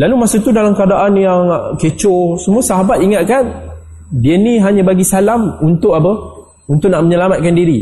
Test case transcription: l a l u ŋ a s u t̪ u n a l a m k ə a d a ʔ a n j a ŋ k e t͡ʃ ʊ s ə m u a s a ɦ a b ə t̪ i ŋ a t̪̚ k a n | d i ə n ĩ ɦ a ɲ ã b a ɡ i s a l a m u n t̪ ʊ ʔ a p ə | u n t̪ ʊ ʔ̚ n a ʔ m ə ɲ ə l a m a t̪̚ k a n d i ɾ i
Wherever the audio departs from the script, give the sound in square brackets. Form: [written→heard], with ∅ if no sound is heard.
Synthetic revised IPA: l a l u [ŋ→m] a s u t̪ u [n→d] a l a m k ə a d a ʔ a n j a ŋ k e t͡ʃ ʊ s ə m u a s a ɦ a b [ə→a] t̪ i ŋ a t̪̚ k a n | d i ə n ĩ ɦ a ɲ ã b a ɡ i s a l a m u n t̪ ʊ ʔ a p ə | u n t̪ ʊ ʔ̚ n a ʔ m ə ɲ ə l a m a t̪̚ k a n d i ɾ i